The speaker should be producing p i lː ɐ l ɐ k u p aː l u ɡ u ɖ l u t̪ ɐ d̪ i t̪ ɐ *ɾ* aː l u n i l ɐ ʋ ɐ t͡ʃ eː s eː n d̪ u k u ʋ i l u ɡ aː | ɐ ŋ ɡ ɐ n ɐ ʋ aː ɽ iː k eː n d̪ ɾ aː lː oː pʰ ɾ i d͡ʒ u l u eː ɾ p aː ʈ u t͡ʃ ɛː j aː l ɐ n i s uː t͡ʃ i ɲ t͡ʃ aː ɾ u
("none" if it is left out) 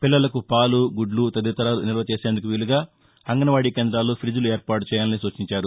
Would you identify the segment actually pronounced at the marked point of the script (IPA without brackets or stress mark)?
ɾ